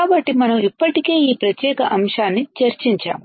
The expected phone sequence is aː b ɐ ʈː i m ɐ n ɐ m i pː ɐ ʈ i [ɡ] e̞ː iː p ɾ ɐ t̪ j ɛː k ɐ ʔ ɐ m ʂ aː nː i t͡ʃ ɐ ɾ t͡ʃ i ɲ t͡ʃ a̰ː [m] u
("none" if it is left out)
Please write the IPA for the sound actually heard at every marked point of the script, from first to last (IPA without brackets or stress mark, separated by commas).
k, m